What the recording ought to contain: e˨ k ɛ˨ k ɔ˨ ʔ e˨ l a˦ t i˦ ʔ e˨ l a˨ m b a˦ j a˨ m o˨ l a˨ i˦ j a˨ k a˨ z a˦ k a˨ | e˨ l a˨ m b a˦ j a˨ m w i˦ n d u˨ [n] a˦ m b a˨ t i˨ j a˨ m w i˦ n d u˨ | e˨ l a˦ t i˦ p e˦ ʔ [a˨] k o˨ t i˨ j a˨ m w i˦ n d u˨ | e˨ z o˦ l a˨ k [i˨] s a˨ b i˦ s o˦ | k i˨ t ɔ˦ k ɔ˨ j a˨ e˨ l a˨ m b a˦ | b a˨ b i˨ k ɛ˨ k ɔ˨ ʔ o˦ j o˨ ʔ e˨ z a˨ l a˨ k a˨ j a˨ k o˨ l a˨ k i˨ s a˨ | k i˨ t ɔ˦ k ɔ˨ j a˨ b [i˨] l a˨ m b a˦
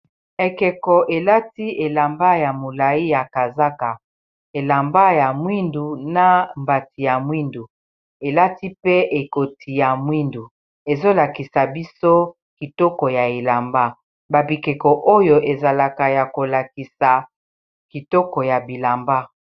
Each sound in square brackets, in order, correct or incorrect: correct, incorrect, correct, correct

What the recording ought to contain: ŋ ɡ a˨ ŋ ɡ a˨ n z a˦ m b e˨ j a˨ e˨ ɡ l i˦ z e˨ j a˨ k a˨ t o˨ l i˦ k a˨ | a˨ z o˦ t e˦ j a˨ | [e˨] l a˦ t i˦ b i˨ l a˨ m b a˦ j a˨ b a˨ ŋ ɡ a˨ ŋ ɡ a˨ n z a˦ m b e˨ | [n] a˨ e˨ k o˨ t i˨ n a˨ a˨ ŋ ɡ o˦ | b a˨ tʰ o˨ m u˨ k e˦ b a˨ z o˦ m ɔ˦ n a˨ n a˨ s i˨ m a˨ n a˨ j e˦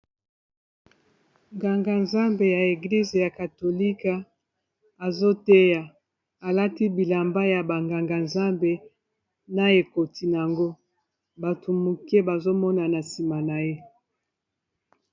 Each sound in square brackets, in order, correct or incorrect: incorrect, correct

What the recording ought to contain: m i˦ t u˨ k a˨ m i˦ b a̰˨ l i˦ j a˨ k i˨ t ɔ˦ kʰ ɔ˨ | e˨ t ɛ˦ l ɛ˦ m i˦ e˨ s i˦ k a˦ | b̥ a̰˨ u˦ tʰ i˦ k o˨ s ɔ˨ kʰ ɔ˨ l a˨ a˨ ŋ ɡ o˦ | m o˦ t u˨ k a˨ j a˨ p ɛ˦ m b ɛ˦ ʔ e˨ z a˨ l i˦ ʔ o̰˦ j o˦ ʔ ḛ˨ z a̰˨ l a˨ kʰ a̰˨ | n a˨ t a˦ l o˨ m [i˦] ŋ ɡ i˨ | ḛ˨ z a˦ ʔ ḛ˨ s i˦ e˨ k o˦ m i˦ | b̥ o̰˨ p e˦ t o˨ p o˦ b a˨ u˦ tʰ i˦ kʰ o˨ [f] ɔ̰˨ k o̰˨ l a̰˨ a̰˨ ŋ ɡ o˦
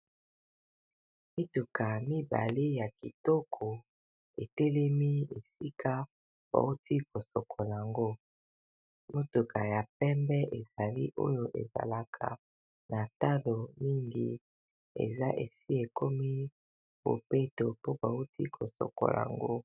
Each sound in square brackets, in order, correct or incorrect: correct, incorrect

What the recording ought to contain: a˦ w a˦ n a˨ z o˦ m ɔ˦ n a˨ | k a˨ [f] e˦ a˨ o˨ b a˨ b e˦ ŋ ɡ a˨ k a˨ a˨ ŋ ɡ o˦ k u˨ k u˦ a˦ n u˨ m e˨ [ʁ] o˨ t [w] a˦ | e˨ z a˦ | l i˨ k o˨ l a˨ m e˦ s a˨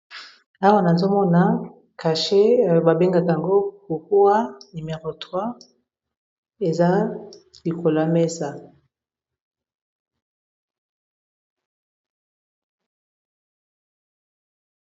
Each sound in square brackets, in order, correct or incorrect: incorrect, correct, correct

